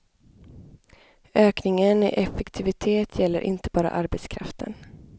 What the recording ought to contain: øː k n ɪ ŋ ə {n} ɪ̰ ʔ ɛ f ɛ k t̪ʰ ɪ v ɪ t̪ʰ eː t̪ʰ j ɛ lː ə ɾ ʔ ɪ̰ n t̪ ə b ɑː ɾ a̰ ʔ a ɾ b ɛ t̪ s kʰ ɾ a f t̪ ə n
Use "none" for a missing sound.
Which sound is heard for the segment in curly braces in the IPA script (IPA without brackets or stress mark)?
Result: n